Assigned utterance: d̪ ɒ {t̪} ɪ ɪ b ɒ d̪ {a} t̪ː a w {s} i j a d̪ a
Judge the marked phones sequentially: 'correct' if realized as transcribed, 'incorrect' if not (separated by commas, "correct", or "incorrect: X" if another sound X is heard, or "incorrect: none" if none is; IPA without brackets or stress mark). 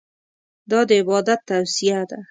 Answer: incorrect: d̪, correct, correct